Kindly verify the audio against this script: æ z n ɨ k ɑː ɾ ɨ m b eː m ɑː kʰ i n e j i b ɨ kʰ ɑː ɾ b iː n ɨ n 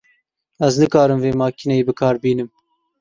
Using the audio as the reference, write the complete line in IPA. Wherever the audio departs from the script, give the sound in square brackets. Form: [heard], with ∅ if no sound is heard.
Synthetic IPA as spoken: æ z n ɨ k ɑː ɾ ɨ m [v] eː m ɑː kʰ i n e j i b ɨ kʰ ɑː ɾ b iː n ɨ [m]